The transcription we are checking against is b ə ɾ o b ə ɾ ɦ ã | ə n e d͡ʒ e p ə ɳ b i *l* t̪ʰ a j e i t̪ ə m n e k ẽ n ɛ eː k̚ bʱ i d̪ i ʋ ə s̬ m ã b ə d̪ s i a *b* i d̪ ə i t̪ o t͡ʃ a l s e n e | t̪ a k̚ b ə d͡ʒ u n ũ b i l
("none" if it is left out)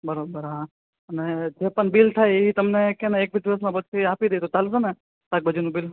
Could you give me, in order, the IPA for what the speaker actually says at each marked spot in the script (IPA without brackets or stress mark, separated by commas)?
l, p